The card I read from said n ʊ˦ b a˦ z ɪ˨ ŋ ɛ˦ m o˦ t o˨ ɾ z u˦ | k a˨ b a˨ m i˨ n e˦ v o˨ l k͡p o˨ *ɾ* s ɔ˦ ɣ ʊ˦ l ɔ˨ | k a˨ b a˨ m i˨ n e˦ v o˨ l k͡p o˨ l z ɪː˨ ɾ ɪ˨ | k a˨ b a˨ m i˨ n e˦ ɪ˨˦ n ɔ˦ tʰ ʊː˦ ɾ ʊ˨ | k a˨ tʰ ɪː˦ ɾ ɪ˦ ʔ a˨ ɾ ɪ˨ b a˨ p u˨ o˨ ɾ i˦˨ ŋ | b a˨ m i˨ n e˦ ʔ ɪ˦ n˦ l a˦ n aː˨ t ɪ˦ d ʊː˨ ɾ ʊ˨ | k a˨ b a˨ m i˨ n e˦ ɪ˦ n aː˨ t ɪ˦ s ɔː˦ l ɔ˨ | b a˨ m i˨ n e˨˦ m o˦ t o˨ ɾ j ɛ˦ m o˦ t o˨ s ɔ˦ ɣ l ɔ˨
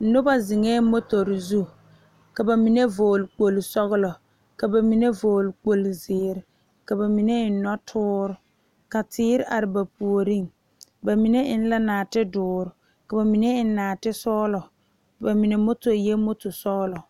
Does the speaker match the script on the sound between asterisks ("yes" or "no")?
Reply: no